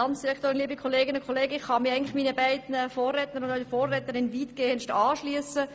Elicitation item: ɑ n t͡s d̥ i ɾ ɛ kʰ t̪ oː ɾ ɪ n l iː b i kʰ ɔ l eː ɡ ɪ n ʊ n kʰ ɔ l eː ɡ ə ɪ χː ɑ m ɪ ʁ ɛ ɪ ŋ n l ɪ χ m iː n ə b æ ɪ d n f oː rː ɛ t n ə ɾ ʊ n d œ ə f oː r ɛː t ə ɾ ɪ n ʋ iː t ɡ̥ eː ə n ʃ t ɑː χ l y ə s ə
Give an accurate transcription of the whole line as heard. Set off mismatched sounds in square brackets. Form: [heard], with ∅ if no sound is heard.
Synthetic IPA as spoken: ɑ n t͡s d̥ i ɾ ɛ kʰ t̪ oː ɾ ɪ n l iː b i kʰ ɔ l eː ɡ ɪ n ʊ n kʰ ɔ l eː ɡ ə ɪ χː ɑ m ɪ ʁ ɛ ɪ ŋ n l ɪ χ m iː n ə b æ ɪ d n f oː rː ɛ t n ə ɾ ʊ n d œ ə f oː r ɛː t ə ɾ ɪ n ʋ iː t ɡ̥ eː ə n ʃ t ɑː [ʃ] l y ə s ə